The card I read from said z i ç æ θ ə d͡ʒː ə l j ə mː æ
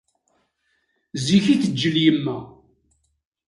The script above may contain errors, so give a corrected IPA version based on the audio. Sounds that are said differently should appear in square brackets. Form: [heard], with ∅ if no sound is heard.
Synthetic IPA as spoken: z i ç [i] θ ə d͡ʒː ə l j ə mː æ